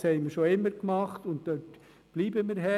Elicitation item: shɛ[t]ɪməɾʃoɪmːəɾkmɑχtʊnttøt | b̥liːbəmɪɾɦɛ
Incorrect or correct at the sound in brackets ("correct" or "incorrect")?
incorrect